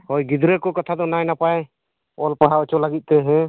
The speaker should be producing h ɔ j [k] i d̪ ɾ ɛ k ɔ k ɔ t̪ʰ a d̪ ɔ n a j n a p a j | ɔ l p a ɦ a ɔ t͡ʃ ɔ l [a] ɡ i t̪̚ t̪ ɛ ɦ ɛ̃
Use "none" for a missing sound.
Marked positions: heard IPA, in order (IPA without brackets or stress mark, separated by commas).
ɡ, a